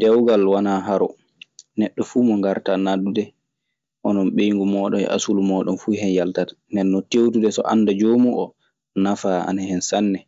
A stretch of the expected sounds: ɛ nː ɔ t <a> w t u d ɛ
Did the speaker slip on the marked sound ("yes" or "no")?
yes